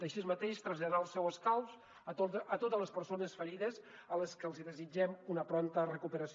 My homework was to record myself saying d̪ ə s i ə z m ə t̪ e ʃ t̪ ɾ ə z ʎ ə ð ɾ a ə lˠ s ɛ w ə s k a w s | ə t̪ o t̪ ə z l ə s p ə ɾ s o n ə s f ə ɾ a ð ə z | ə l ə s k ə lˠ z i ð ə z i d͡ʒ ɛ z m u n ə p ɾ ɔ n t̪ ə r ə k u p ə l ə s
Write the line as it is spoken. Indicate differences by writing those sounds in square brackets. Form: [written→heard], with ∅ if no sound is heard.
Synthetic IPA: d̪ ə [s→ʃ] i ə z m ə t̪ e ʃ t̪ ɾ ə z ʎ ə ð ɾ a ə lˠ s ɛ w ə s k a w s | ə t̪ o t̪ ə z l ə s p ə ɾ s o n ə s f ə ɾ [a→i] ð ə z | ə l ə s k ə lˠ z i ð ə z i d͡ʒ ɛ [z→∅] m u n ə p ɾ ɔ n t̪ ə r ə k u p ə [l→ɾ] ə s